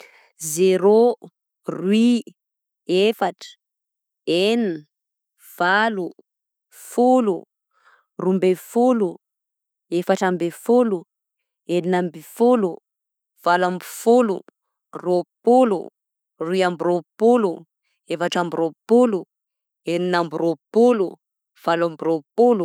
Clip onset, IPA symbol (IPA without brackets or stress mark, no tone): z